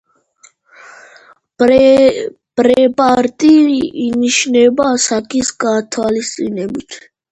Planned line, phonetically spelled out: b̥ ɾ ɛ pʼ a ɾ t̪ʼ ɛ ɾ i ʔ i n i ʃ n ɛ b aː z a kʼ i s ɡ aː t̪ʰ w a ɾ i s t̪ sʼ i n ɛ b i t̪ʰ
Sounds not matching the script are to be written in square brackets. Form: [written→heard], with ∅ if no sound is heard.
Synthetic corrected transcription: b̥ ɾ ɛ pʼ a ɾ t̪ʼ [ɛ→i] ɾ i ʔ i n i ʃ n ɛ b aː [z→s] a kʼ i s ɡ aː t̪ʰ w a [ɾ→l] i s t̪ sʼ i n ɛ b i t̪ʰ